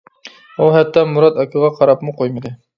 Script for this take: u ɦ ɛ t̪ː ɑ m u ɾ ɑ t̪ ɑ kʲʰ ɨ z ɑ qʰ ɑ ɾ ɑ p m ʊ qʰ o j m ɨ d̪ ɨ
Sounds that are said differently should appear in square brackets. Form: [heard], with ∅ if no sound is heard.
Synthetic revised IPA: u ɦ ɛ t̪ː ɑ m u ɾ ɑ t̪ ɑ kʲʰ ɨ [ʁ] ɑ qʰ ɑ ɾ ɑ p m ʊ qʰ o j m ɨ d̪ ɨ